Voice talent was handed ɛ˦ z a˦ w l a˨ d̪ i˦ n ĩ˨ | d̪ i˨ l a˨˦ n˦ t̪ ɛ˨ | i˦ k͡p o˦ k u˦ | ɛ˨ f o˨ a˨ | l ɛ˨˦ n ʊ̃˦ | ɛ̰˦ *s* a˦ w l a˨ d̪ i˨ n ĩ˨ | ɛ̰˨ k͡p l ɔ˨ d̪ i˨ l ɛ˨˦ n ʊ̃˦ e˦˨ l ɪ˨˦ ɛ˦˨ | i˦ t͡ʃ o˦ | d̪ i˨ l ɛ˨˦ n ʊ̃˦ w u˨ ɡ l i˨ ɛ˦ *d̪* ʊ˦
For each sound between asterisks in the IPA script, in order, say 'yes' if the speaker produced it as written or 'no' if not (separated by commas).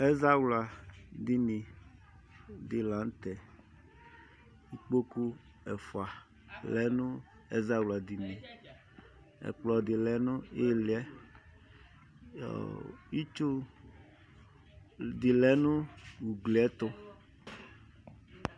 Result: no, no